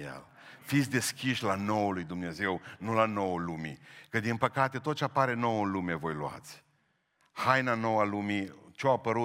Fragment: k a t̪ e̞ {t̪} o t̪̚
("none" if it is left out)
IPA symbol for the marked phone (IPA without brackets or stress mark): t̪